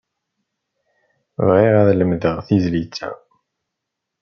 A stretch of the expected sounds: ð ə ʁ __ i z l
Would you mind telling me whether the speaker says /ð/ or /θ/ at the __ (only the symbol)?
θ